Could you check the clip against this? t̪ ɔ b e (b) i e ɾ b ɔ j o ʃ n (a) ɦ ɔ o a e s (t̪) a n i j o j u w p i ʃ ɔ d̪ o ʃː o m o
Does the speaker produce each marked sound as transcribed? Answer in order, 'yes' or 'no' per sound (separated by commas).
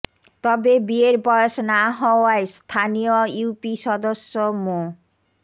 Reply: yes, yes, no